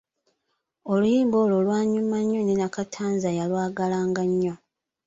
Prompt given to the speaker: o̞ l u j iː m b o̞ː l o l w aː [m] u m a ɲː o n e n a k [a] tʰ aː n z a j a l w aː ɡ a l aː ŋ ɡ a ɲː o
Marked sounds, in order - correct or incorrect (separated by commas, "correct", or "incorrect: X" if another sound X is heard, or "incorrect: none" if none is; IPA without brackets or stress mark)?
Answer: incorrect: ɲ, correct